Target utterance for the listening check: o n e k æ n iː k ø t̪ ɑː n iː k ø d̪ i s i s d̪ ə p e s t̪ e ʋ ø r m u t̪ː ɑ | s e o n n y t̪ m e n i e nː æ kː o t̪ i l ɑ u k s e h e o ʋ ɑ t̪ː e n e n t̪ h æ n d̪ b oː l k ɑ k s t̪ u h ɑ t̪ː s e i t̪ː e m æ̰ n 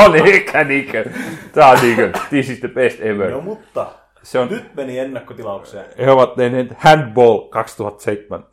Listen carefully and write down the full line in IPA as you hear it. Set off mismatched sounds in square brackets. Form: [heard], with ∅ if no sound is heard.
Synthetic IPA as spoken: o n e k æ n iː k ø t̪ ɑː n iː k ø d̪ i s i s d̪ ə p e s t̪ e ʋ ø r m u t̪ː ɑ | s e o n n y t̪ m e n i e nː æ kː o t̪ i l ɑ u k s e h e o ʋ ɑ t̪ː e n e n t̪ h æ n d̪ b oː l k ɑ k s t̪ u h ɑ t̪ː s e i t̪ː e m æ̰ n